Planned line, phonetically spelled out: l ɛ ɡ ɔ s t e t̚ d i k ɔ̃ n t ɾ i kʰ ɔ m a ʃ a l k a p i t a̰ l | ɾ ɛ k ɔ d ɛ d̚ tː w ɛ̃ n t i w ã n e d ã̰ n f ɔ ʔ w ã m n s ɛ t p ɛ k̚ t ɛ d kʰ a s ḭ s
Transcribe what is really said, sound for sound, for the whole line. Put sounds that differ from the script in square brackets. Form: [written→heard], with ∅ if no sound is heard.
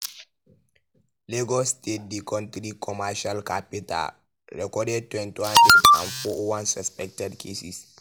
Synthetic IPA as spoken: l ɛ ɡ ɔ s t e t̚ d i k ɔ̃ n t ɾ i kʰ ɔ m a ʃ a l k a p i t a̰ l | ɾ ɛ k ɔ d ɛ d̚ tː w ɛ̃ n t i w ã n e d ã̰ n f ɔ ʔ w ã [m→∅] n s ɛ [t→s] p ɛ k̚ t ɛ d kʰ [a→e] s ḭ s